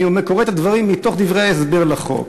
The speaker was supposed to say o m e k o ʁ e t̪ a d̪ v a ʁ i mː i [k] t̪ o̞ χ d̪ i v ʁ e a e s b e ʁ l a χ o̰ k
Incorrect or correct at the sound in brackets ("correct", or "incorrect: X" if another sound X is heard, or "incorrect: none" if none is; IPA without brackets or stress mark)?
incorrect: none